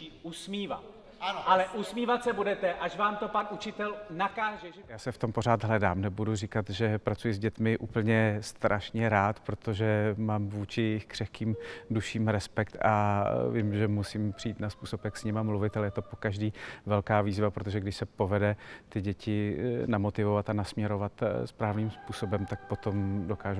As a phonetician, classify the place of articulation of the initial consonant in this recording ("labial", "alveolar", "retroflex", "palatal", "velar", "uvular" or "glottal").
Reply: alveolar